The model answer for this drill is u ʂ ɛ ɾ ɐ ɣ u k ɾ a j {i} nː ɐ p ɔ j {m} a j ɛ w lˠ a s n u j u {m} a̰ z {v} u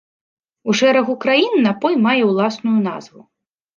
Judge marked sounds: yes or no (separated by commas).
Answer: yes, yes, no, yes